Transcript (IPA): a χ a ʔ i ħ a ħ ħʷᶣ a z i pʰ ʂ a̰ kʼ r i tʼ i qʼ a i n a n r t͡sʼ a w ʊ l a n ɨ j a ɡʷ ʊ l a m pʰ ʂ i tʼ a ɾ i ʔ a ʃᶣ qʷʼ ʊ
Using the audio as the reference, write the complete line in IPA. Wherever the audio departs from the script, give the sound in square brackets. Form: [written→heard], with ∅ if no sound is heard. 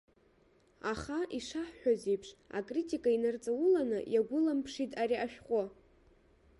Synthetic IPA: a χ a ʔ i [ħ→ʂ] a ħ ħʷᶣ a z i pʰ ʂ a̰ kʼ r i tʼ i [qʼ→kʼ] a i n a [n→∅] r t͡sʼ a w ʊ l a n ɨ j a ɡʷ ʊ l a m pʰ ʂ i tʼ a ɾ i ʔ a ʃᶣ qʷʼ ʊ